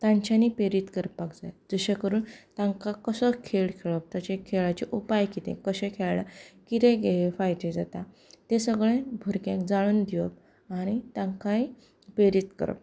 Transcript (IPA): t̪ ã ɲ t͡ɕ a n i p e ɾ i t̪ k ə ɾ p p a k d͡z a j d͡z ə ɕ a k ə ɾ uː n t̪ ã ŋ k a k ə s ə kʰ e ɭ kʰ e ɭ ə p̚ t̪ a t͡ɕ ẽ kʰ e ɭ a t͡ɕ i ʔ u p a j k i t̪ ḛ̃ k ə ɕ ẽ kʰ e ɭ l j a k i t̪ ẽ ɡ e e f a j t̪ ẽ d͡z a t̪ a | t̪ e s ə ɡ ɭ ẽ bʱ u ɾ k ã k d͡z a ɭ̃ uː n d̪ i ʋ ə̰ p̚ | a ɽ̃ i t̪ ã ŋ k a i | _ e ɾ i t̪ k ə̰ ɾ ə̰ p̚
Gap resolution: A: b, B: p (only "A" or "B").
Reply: B